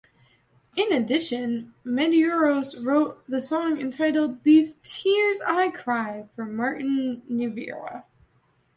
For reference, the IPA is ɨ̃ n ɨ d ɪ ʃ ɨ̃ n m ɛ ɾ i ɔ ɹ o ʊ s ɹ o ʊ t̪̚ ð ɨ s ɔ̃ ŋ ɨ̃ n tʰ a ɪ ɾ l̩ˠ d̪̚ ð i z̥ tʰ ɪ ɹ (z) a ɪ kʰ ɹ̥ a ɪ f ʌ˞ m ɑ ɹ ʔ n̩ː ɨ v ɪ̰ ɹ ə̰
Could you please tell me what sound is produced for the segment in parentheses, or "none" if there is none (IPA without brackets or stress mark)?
z